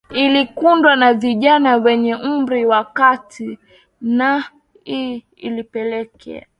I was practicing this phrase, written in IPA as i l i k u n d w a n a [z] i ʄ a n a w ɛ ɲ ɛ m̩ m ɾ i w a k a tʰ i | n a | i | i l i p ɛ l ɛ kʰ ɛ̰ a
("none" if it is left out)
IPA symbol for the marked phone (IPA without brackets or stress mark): v